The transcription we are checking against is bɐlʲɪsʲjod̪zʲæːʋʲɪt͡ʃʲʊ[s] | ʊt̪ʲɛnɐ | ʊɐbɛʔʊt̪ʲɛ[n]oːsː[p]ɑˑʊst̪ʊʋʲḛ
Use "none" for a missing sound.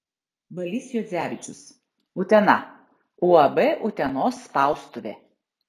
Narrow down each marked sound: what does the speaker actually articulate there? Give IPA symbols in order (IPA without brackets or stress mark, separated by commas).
s, n, p